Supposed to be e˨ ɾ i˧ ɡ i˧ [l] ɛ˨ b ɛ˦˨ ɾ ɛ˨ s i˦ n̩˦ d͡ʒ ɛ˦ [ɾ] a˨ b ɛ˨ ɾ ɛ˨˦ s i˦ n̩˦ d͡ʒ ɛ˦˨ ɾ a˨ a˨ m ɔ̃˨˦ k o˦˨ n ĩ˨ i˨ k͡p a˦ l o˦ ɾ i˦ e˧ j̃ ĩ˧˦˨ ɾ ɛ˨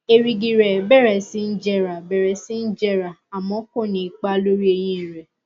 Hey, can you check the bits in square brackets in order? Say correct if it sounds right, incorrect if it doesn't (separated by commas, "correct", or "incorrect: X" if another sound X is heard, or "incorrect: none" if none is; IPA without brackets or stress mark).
incorrect: ɾ, correct